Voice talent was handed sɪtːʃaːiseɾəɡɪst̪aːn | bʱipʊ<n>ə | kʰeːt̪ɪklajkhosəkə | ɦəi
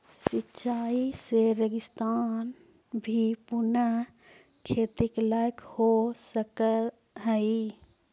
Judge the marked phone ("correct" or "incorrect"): correct